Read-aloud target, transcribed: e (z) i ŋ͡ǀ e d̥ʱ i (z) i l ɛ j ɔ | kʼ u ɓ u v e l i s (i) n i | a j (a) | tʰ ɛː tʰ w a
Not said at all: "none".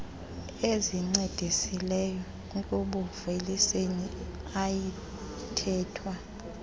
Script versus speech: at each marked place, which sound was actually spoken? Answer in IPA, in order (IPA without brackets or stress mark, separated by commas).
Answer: z, s, e, i